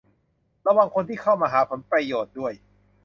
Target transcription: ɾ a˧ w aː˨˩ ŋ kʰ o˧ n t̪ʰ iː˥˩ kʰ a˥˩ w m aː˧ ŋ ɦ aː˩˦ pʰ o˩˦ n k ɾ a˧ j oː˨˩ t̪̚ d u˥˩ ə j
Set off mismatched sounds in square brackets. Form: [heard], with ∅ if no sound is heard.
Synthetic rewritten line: ɾ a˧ w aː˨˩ ŋ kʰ o˧ n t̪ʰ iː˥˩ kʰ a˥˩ w m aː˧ [∅] ɦ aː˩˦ pʰ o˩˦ n [p] ɾ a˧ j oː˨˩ t̪̚ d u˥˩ ə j